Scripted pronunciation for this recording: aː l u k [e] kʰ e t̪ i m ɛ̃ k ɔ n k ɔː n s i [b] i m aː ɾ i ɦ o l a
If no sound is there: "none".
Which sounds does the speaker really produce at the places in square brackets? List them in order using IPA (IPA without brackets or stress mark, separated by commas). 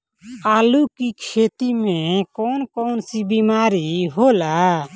i, b